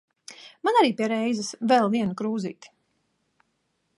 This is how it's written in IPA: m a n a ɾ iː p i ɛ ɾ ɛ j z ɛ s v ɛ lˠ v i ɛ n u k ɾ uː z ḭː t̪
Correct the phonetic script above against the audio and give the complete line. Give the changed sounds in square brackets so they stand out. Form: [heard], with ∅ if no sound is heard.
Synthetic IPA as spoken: m a n a ɾ iː p i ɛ ɾ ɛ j z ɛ s v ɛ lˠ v i ɛ n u k ɾ uː z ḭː t̪

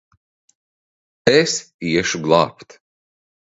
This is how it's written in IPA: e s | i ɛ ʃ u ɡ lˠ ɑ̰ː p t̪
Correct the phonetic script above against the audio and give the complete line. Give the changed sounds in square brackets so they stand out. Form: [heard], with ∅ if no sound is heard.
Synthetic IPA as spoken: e s | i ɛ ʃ u ɡ lˠ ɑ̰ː p t̪

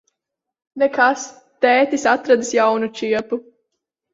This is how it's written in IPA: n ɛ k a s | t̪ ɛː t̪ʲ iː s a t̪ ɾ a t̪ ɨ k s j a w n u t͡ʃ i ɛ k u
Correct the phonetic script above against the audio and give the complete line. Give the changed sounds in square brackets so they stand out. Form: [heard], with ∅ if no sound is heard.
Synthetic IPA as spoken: n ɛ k a s | t̪ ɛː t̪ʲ [i] s a t̪ ɾ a [d̪] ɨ [∅] s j a w n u t͡ʃ i ɛ [p] u

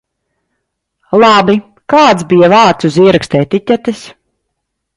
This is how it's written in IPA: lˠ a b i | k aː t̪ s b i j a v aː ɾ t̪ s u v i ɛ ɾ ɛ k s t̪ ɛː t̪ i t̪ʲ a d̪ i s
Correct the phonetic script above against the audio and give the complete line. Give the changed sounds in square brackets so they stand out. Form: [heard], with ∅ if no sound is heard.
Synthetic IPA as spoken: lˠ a b i | k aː t̪ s b i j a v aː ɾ t̪ s u [z] i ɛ ɾ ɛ k s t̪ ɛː t̪ i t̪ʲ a [t̪] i s

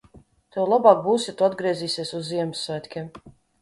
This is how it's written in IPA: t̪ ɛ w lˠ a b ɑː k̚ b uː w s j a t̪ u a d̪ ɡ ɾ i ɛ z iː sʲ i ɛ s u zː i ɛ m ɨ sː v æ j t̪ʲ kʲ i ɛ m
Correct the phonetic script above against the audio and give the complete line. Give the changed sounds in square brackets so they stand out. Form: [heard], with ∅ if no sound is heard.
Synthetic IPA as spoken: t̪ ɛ w lˠ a b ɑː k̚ b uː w s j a t̪ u a d̪ ɡ ɾ i ɛ z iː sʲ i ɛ s u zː i ɛ m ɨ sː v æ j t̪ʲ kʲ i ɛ m

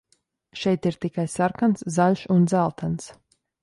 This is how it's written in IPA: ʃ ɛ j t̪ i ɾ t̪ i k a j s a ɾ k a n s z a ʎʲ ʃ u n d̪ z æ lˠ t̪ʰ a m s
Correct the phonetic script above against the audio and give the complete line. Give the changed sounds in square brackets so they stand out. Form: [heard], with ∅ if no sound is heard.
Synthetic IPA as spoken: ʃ ɛ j t̪ i ɾ t̪ i k a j s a ɾ k a n s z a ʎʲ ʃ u n d̪ z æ lˠ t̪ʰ a [n] s

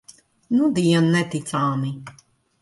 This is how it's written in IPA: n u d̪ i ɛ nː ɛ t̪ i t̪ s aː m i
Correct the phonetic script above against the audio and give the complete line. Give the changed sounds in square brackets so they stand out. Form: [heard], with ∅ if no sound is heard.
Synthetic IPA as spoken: n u d̪ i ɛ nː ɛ t̪ i t̪ s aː m i

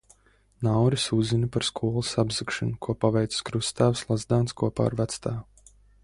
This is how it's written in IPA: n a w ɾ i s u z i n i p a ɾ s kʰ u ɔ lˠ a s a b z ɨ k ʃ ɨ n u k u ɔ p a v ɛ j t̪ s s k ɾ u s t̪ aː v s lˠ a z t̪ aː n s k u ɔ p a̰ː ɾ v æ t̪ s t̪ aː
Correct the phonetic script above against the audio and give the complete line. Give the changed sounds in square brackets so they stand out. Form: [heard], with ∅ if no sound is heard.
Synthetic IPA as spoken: n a w ɾ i s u z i n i p a ɾ s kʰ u ɔ lˠ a s a b z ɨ k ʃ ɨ n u k u ɔ p a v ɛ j t̪ s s k ɾ u s t̪ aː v s lˠ a z [d̪] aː n s k u ɔ p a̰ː ɾ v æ t̪ s t̪ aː

